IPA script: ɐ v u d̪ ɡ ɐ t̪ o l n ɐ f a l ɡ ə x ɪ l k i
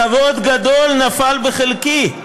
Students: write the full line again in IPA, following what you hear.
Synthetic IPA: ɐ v o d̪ ɡ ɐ d̪ o l n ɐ f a l b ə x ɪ l k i